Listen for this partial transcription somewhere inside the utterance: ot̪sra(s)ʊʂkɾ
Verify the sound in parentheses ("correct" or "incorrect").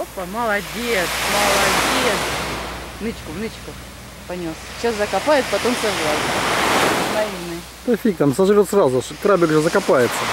incorrect